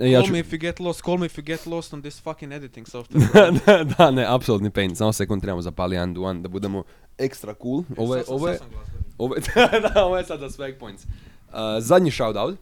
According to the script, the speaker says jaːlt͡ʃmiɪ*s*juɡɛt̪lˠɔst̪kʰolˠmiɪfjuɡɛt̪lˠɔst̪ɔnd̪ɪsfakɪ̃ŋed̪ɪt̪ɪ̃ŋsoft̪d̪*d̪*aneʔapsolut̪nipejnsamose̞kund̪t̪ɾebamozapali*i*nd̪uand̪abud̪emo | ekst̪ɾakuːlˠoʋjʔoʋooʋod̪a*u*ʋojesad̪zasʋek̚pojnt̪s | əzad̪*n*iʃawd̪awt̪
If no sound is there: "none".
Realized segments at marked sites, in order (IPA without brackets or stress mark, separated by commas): f, d̪, a, o, ɲ